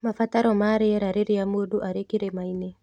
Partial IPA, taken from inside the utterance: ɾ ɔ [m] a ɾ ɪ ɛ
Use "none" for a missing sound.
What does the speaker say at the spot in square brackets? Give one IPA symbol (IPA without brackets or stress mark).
m